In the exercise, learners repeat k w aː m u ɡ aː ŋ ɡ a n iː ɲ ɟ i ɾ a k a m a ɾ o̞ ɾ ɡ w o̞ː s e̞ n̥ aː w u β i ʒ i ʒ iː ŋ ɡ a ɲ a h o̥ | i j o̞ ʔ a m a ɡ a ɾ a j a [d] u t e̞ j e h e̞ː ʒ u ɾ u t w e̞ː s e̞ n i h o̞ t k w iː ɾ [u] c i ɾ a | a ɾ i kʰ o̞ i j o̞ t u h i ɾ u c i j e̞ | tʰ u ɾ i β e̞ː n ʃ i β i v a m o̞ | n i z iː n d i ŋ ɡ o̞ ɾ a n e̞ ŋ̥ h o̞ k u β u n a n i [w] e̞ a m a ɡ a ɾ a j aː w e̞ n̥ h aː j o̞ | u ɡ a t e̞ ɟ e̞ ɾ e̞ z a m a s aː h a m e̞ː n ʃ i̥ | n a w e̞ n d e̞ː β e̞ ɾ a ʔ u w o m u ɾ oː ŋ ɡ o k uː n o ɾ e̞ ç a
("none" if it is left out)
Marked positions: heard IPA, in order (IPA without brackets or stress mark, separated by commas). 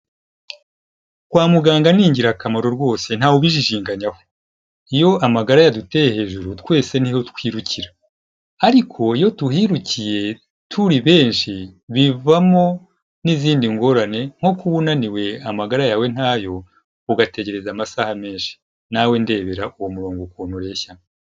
d, u, w